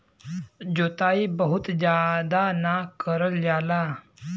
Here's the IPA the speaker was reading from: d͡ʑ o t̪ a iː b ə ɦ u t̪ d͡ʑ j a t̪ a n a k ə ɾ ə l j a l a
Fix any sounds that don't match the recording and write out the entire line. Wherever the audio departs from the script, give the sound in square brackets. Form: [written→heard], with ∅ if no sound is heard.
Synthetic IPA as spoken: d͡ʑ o t̪ a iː b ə ɦ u t̪ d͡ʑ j a [t̪→d̪] a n a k ə ɾ ə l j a l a